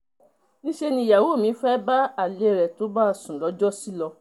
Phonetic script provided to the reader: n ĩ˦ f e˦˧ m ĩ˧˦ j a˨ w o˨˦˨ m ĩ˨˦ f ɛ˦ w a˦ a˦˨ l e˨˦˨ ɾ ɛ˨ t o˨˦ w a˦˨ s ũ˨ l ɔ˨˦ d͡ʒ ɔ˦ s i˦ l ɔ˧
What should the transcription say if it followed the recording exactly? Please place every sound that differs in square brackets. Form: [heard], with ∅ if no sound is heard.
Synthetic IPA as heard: n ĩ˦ [ʃ] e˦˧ [n] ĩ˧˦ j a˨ w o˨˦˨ m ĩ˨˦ f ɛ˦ [b] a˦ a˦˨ l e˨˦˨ ɾ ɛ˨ t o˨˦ [b] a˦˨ s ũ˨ l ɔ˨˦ d͡ʒ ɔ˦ s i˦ l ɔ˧